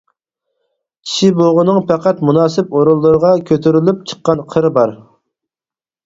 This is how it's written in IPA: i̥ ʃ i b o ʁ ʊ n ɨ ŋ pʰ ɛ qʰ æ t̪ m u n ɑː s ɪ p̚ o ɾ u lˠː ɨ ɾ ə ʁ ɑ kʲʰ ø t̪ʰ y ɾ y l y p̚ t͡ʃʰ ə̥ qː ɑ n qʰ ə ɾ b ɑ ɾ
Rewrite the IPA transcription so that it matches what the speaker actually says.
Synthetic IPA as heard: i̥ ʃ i b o ʁ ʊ n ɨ ŋ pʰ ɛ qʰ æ t̪ m u n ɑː s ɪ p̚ o ɾ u lˠː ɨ ɾ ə ʁ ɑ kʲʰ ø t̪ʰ y ɾ y l y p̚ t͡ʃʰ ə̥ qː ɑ n qʰ ə ɾ b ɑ ɾ